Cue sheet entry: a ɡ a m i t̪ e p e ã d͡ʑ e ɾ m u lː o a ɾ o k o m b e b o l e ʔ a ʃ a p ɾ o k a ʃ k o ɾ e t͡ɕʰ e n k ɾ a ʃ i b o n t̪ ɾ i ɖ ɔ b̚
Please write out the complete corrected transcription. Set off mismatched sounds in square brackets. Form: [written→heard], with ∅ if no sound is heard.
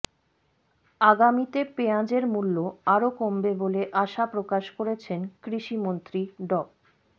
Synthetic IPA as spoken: a ɡ a m i t̪ e p e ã d͡ʑ e ɾ m u lː o a ɾ o k o m b e b o l e ʔ a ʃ a p ɾ o k a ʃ k o ɾ e t͡ɕʰ e n k ɾ [a→i] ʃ i [b→m] o n t̪ ɾ i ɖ ɔ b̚